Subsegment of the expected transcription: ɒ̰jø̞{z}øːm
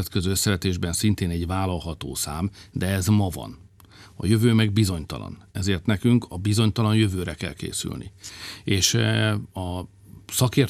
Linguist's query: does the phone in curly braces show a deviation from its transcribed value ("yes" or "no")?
yes